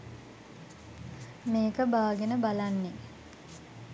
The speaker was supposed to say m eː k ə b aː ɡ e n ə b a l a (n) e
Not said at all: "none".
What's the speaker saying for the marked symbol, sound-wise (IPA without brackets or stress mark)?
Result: nː